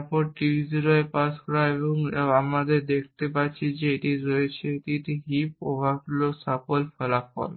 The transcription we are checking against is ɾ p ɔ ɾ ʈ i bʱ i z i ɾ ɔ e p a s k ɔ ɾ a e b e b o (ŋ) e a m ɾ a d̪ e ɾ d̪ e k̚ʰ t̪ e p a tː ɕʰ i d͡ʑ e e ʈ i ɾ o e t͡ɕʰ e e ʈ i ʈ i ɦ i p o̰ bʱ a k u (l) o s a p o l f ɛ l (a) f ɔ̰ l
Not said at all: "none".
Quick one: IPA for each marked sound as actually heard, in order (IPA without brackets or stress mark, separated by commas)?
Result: ŋ, l, a